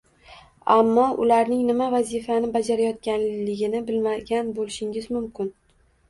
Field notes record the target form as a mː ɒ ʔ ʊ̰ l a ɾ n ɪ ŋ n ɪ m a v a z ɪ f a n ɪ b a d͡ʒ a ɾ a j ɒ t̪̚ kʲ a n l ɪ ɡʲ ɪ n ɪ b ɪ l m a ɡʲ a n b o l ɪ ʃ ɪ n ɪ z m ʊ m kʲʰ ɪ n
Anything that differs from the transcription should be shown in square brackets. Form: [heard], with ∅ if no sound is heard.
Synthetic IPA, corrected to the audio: a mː ɒ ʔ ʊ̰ l a ɾ n ɪ ŋ n ɪ m a v a z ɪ f a n ɪ b a d͡ʒ a ɾ a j ɒ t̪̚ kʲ a n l ɪ ɡʲ ɪ n ɪ b ɪ l m a ɡʲ a n b o l ɪ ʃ ɪ [ŋ] ɪ z m ʊ m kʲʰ ɪ n